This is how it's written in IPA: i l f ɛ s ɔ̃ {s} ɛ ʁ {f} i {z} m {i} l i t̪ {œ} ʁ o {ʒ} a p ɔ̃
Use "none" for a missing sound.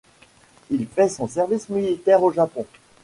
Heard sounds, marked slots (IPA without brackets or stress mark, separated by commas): s, v, s, i, ɛ, ʒ